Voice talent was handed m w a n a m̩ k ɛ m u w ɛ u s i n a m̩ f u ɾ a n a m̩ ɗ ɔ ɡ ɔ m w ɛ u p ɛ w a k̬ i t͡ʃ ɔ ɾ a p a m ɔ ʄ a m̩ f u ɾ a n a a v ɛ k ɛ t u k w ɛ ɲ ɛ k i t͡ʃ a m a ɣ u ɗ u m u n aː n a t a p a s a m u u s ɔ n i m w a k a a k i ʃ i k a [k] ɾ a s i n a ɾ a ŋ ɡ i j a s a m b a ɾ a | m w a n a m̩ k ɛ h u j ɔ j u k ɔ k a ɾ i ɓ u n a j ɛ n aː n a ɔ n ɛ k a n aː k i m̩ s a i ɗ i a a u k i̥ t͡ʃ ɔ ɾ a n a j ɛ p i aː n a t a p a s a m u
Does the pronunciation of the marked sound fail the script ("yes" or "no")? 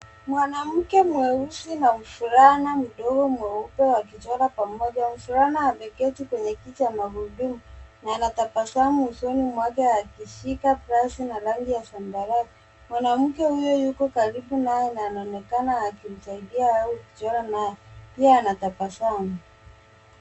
yes